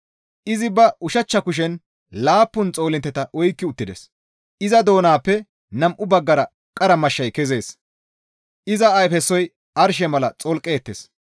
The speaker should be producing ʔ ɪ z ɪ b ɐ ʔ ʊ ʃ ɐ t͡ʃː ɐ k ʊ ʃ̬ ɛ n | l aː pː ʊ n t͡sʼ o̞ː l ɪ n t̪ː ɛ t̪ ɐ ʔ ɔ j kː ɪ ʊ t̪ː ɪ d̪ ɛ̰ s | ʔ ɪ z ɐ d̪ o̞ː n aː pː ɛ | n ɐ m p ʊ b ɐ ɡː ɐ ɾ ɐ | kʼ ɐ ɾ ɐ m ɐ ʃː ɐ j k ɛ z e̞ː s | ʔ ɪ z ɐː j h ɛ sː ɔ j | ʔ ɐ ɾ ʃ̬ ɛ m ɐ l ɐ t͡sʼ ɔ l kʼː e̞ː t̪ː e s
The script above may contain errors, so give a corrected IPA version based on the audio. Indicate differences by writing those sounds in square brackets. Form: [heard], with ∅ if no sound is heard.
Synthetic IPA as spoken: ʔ ɪ z ɪ b ɐ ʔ ʊ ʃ ɐ t͡ʃː ɐ k ʊ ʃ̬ ɛ n | l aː pː ʊ n t͡sʼ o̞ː l ɪ n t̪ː ɛ t̪ ɐ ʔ ɔ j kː ɪ ʊ t̪ː ɪ d̪ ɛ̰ s | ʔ ɪ z ɐ d̪ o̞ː n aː pː ɛ | n ɐ m [ʔ] ʊ b ɐ ɡː ɐ ɾ ɐ | kʼ ɐ ɾ ɐ m ɐ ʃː ɐ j k ɛ z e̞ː s | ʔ ɪ z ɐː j [f] ɛ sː ɔ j | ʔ ɐ ɾ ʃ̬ ɛ m ɐ l ɐ t͡sʼ ɔ l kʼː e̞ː t̪ː e s